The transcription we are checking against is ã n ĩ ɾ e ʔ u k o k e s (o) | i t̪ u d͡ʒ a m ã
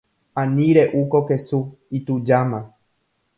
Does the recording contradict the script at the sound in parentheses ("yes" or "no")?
yes